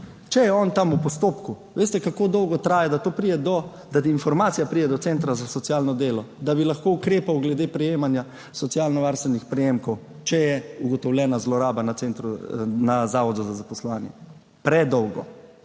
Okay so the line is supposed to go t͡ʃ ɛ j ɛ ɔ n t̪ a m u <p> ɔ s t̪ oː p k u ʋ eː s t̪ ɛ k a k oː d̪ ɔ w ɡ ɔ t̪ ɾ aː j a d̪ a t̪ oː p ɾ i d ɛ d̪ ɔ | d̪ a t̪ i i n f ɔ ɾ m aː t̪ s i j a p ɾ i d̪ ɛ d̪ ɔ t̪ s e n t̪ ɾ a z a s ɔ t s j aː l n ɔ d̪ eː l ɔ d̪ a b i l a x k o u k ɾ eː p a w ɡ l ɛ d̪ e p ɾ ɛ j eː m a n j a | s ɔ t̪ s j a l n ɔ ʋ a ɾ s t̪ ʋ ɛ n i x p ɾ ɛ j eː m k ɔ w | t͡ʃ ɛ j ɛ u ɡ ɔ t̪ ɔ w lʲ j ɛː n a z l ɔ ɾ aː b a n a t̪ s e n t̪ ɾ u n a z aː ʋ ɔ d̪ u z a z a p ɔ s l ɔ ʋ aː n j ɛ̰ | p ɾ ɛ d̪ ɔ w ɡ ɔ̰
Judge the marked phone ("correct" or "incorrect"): correct